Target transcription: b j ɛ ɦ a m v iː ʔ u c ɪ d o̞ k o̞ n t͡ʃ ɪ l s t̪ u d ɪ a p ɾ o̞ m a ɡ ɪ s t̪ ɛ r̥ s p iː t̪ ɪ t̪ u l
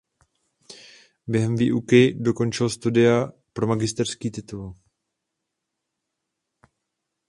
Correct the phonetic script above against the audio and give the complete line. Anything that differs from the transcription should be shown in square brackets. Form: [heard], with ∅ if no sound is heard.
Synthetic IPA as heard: b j ɛ ɦ [ɛ] m v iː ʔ u [k] ɪ d o̞ k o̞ n t͡ʃ ɪ l s t̪ u d ɪ a p ɾ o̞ m a ɡ ɪ s t̪ ɛ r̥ s [k] iː t̪ ɪ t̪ u l